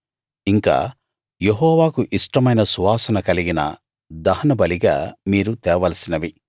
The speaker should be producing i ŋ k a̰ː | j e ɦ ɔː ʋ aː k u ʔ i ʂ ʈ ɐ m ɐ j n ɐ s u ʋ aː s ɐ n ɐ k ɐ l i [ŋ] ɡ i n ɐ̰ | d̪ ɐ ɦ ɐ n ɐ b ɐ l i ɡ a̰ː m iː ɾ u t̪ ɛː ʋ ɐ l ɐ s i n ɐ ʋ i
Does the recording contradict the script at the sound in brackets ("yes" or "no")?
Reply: yes